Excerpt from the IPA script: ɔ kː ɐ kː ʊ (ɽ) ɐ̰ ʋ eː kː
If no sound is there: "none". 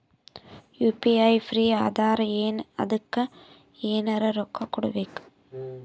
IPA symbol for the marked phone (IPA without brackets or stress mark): ɽ